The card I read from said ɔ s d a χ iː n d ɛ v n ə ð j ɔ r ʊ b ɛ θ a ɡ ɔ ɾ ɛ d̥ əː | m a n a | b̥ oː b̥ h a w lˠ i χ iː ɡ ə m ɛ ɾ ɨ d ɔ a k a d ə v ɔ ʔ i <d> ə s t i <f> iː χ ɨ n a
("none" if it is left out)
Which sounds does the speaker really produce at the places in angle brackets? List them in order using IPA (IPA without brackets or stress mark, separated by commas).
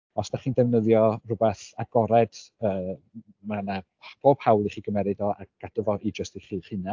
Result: d͡ʒ, χ